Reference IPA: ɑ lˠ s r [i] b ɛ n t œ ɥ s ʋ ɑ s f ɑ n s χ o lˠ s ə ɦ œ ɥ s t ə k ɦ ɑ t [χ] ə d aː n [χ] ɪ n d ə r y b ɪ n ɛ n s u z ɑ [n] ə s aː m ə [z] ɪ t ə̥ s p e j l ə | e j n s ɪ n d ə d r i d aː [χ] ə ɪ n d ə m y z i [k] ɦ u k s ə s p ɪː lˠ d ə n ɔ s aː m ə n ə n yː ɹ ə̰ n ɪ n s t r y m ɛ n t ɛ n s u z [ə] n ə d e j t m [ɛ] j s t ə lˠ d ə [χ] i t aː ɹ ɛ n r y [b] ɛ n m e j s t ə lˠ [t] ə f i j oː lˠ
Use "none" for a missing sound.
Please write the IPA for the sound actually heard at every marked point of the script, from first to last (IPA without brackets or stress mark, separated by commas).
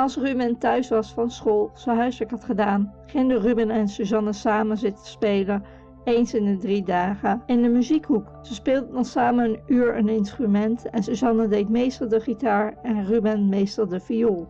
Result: y, χ, χ, n, z, χ, k, ɑ, e, χ, b, d